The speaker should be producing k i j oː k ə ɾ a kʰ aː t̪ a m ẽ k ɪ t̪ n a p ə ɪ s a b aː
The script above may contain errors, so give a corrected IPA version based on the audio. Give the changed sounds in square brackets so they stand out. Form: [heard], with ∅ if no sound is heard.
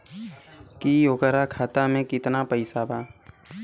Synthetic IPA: k i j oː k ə ɾ a kʰ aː t̪ a m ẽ k ɪ t̪ n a p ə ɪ s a b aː